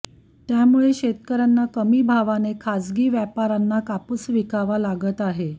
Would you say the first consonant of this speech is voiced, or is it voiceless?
voiceless